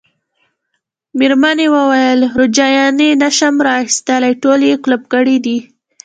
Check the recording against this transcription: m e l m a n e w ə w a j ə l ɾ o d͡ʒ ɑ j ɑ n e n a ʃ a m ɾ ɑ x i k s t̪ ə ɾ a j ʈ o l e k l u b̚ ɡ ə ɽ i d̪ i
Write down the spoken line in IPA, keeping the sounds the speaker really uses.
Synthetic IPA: m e ɾ m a n e w ə w a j ə l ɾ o d͡ʒ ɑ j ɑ n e n a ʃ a m ɾ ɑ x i s t̪ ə l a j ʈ o l e k l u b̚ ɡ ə ɽ i d̪ i